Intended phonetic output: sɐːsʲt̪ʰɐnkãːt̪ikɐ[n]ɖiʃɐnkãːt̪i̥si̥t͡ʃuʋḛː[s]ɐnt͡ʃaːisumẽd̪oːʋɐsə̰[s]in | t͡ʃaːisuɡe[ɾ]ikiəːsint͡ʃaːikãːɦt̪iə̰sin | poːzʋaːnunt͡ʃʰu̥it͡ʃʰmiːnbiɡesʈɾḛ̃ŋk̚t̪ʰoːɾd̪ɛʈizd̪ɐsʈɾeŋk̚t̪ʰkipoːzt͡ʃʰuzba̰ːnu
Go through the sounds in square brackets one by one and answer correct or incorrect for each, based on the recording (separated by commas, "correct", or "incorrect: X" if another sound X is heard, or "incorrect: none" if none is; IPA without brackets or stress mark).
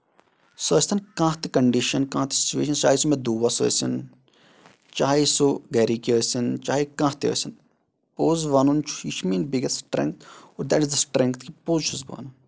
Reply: incorrect: ɳ, incorrect: ʃ, correct, correct